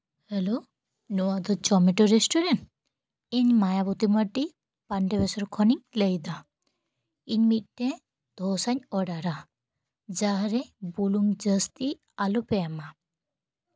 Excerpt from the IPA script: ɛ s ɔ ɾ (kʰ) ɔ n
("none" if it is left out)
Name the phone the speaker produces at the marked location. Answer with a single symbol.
kʰ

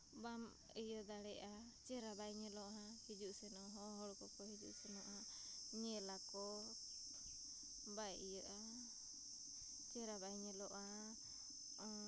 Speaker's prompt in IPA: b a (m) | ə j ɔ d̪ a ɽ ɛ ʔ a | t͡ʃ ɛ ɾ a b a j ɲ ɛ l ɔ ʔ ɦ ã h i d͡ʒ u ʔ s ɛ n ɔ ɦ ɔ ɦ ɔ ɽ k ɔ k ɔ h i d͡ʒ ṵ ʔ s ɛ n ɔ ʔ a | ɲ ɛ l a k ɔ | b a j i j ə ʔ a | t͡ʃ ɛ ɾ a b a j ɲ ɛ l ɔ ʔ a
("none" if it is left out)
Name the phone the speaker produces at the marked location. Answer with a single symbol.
m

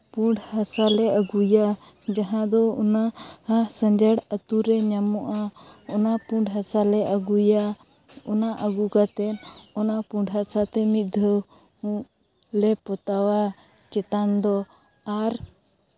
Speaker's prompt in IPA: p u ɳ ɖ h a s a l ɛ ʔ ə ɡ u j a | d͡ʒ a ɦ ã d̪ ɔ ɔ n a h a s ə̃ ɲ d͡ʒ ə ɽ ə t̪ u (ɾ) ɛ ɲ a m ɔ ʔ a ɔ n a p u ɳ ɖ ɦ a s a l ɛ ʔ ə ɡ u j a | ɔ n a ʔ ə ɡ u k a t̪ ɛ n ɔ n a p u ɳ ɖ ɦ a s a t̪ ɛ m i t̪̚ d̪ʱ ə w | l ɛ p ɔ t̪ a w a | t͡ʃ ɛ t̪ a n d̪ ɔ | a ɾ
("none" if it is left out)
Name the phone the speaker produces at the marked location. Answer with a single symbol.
ɾ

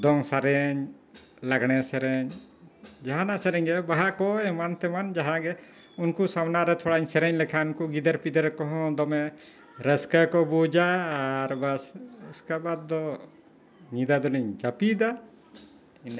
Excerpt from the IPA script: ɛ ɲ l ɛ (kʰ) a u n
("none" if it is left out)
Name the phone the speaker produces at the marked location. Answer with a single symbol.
kʰ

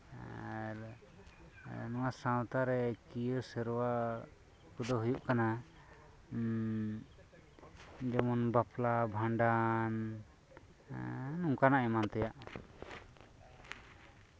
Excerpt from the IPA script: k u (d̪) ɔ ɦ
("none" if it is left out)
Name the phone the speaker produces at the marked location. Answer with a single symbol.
d̪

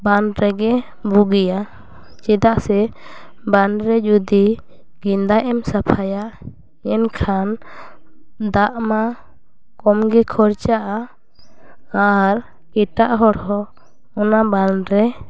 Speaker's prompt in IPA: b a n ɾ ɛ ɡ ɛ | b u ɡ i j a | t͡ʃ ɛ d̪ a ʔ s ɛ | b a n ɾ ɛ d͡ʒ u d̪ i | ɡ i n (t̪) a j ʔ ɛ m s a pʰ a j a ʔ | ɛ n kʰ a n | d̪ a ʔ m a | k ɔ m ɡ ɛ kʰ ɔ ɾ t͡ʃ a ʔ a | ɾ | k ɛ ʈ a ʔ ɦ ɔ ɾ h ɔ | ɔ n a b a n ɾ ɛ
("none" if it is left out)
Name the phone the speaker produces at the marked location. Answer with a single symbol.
d̪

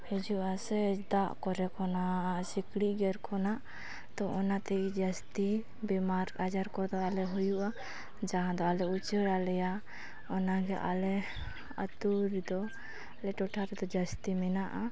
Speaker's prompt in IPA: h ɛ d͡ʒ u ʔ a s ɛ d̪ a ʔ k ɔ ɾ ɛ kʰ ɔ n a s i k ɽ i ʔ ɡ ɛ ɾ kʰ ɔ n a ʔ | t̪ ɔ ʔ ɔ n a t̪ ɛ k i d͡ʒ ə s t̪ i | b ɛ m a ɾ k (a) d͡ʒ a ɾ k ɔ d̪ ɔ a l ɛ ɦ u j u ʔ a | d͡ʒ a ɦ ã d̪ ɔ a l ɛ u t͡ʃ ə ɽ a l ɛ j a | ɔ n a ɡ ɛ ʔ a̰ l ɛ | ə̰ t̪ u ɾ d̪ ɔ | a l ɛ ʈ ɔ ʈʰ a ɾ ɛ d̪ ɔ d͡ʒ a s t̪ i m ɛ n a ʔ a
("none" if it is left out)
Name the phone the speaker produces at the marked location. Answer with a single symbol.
a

